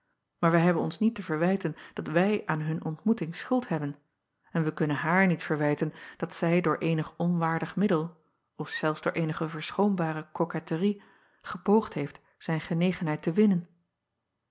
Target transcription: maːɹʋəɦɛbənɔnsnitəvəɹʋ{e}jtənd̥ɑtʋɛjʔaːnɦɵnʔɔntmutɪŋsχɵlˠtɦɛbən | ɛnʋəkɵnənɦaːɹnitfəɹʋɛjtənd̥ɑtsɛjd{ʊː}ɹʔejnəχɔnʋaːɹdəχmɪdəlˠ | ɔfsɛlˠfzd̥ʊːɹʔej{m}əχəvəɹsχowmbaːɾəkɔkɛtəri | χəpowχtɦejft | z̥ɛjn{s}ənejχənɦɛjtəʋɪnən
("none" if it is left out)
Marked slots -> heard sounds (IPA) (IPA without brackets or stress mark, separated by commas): ɛ, ʊː, n, χ